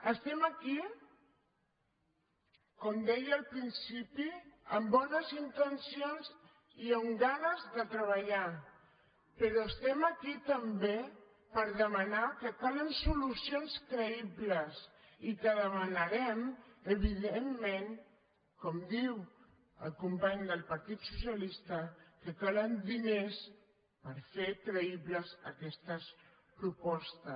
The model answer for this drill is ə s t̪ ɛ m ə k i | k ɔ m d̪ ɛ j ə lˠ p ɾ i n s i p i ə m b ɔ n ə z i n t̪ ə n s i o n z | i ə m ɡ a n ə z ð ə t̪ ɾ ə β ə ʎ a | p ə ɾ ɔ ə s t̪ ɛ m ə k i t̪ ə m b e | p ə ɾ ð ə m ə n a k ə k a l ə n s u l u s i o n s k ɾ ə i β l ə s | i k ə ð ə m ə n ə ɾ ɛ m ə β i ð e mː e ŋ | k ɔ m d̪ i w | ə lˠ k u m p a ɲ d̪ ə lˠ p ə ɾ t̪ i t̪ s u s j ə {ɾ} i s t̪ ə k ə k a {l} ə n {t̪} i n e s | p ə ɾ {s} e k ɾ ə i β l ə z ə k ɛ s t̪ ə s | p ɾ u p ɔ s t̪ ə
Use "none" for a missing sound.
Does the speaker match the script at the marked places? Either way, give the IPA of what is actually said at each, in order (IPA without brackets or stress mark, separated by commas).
l, l, d̪, f